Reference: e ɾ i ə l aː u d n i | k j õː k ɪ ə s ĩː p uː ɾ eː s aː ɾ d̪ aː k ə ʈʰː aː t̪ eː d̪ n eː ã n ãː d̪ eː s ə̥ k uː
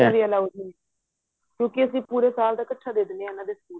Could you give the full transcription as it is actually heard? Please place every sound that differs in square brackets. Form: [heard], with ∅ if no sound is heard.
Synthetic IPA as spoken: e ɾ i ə l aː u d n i | k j õː k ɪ ə s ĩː p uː ɾ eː s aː [l] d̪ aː k ə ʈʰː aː [d̪] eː d̪ n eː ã n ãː d̪ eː s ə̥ k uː